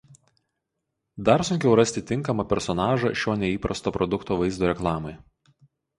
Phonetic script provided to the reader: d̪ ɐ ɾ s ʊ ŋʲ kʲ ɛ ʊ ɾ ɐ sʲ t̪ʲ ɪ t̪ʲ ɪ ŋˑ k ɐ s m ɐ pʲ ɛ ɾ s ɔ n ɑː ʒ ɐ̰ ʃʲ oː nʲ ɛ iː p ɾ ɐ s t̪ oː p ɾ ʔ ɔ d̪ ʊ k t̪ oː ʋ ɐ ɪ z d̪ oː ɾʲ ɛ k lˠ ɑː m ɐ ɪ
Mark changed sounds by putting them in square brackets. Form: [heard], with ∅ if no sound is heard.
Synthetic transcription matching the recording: d̪ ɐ ɾ s ʊ ŋʲ kʲ ɛ ʊ ɾ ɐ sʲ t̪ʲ ɪ t̪ʲ ɪ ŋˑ k ɐ [∅] m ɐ pʲ ɛ ɾ s ɔ n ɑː ʒ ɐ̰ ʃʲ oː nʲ ɛ iː p ɾ ɐ s t̪ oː p ɾ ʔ ɔ d̪ ʊ k t̪ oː ʋ ɐ ɪ z d̪ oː ɾʲ ɛ k lˠ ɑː m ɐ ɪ